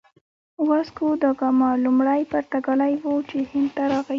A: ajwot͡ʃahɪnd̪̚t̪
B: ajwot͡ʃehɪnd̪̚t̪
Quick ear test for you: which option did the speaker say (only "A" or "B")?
B